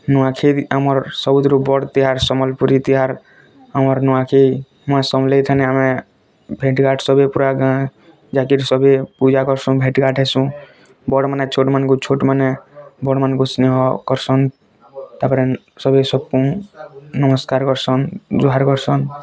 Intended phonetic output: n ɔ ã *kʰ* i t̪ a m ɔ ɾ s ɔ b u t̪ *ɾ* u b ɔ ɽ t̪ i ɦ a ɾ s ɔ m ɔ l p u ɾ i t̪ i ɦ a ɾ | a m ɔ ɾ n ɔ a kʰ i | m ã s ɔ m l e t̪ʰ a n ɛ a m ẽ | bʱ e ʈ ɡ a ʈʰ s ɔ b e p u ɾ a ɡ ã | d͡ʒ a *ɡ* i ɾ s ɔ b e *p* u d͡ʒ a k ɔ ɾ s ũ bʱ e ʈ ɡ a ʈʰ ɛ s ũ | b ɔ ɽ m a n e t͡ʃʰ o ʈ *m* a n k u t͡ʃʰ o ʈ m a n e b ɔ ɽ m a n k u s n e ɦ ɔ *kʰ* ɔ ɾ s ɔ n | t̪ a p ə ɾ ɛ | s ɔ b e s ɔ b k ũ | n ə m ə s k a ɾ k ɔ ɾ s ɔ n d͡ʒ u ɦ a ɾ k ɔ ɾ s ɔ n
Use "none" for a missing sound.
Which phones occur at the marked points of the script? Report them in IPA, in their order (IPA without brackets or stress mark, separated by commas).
kʰ, ɾ, k, p, m, k